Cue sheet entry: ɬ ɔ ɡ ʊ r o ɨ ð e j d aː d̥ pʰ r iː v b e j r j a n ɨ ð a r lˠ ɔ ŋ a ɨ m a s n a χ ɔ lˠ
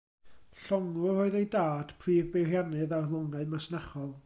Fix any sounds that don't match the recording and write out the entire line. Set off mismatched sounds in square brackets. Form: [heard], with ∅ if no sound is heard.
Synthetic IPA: ɬ ɔ [ŋ] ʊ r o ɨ ð e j d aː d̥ pʰ r iː v b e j r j a n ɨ ð a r lˠ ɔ ŋ a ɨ m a s n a χ ɔ lˠ